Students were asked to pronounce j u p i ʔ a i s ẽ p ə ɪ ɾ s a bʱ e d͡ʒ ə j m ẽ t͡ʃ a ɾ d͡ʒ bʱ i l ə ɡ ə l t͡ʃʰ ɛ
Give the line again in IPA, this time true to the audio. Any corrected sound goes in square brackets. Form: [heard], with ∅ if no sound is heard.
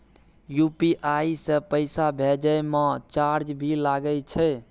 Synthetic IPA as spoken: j u p i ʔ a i s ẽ p ə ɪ [∅] s a bʱ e d͡ʒ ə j m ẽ t͡ʃ a ɾ d͡ʒ bʱ i l [a] ɡ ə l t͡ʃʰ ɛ